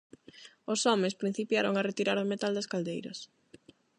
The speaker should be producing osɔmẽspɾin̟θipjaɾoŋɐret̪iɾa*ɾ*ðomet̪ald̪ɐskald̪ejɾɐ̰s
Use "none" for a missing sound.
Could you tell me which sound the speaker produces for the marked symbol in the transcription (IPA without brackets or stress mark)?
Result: ɾ